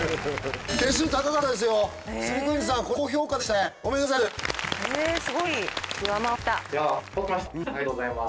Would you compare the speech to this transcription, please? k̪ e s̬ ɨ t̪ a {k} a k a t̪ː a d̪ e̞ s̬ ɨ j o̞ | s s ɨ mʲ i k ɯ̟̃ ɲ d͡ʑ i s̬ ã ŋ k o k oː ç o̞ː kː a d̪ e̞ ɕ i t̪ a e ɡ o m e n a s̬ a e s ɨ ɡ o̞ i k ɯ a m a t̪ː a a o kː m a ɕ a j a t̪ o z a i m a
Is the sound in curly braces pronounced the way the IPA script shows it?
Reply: yes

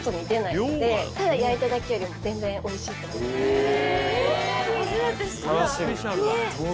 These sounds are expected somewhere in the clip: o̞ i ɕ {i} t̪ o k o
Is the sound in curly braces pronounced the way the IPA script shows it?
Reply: no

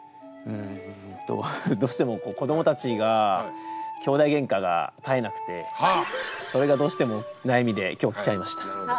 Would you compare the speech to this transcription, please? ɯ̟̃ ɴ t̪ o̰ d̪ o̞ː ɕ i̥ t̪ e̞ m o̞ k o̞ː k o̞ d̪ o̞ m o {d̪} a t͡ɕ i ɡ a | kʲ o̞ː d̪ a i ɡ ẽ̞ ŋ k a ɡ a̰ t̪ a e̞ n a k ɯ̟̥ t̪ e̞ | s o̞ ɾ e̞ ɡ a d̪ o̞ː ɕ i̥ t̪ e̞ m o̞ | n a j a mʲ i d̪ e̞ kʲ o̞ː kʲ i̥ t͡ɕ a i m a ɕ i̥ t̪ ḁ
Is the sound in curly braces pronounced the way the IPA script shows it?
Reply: no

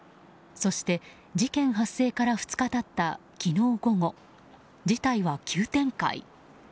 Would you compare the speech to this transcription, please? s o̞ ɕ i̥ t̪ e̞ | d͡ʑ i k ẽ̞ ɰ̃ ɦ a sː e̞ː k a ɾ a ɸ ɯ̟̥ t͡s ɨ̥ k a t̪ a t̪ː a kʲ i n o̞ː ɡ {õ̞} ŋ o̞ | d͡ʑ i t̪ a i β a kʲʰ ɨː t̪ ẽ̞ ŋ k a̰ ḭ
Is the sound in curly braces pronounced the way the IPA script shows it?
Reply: no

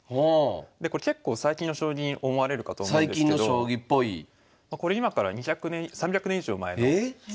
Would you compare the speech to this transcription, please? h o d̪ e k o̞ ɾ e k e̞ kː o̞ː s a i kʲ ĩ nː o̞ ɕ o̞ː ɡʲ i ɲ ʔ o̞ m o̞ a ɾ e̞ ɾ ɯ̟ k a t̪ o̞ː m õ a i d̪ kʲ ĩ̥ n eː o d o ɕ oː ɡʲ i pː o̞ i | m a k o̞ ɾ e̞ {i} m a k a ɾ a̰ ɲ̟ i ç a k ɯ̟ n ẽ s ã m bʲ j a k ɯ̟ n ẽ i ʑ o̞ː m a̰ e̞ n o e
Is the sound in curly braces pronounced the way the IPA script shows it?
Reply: yes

